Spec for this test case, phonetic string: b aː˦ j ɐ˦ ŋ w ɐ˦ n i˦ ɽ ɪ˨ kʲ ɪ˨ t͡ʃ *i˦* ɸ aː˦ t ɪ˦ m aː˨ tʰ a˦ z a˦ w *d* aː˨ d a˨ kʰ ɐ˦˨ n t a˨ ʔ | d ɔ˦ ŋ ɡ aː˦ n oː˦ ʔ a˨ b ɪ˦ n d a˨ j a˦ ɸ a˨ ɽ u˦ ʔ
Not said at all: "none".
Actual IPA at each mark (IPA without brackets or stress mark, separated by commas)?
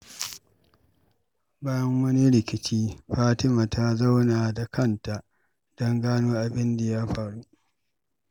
iː˦, n